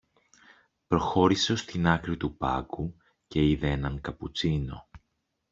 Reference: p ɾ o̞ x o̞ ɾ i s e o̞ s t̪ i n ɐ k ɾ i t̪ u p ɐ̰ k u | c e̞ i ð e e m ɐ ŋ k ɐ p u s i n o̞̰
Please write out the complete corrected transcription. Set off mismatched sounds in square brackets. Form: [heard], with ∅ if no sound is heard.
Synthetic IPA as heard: p ɾ o̞ x o̞ ɾ i s e o̞ s t̪ i n ɐ k ɾ i t̪ u p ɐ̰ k u | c e̞ i ð e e [n] ɐ ŋ k ɐ p u [t͡s] i n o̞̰